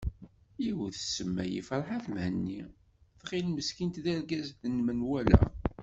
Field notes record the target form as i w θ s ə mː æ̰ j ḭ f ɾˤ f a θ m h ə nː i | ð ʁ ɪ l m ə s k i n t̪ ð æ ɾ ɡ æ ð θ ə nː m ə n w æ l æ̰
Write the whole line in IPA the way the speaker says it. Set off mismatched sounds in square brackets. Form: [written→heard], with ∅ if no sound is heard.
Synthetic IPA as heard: i w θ s ə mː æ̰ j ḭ f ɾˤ [f→ħ] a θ m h ə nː i | [ð→θ] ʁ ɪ l m ə s k i n t̪ ð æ ɾ ɡ æ [ð→z] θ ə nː m ə n w æ l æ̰